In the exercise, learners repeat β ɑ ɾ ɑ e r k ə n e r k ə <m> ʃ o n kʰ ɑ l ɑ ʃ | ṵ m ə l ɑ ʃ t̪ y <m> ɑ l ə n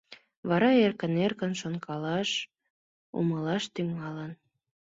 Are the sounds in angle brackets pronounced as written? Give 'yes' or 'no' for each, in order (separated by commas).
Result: no, no